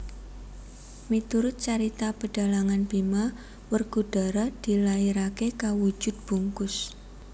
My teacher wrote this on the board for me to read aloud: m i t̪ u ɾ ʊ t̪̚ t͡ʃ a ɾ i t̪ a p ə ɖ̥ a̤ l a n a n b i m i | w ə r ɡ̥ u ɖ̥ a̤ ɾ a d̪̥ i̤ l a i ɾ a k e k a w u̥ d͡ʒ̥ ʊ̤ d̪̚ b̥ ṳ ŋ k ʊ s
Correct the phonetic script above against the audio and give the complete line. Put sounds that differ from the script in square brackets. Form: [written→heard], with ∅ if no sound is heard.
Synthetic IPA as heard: m i t̪ u ɾ ʊ t̪̚ t͡ʃ a ɾ i t̪ a p ə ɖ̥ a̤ l a [n→ŋ] a n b i m [i→a] | w ə r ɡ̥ u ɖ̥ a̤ ɾ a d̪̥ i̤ l a i ɾ a k e k a w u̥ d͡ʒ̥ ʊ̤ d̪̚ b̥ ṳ ŋ k ʊ s